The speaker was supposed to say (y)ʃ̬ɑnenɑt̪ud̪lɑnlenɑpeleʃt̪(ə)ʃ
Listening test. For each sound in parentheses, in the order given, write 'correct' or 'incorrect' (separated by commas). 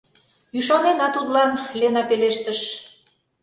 correct, correct